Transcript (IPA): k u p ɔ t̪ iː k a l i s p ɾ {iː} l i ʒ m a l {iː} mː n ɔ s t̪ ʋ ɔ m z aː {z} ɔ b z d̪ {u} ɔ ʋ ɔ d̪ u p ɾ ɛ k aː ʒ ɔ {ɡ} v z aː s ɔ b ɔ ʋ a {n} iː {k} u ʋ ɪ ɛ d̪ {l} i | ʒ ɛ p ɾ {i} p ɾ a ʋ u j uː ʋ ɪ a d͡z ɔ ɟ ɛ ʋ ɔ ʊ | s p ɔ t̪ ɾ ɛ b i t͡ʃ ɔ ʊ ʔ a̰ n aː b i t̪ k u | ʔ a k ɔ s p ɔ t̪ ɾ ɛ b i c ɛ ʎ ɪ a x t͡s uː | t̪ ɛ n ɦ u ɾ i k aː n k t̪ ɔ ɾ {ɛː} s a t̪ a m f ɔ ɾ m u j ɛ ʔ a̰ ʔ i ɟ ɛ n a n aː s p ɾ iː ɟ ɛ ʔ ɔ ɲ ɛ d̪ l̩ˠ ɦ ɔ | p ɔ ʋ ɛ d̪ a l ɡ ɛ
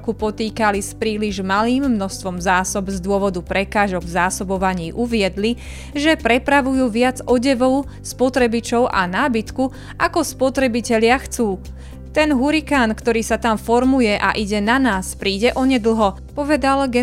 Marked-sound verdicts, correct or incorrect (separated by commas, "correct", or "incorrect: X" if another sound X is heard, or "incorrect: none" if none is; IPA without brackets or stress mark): correct, correct, incorrect: s, incorrect: ʊ, correct, incorrect: ɲ, incorrect: ʔ, correct, incorrect: ɛ, incorrect: iː